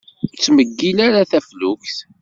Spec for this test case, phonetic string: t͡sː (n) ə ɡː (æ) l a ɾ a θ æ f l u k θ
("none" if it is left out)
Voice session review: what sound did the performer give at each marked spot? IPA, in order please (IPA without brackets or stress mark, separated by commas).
m, i